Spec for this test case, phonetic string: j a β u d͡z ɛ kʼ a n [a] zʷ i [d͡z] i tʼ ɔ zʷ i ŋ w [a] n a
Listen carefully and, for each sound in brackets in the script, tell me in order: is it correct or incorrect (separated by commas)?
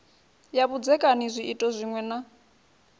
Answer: incorrect, incorrect, incorrect